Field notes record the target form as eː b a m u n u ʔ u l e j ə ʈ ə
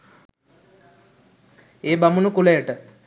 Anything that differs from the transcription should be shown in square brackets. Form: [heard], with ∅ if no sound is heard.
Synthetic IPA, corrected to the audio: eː b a m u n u [k] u l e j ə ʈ ə